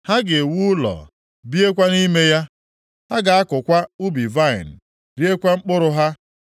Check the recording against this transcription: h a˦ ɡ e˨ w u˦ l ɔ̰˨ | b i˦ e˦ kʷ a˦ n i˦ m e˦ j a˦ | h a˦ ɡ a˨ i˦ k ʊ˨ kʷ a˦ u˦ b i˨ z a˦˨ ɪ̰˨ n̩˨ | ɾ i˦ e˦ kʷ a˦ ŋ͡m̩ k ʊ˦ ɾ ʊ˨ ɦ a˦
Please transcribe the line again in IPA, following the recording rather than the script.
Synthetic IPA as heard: h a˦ ɡ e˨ w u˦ l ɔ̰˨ | b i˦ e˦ kʷ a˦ n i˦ m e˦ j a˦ | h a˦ ɡ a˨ a˦ k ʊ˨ kʷ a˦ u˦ b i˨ v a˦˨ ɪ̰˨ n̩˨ | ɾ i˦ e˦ kʷ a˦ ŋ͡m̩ k͡p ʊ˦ ɾ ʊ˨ ɦ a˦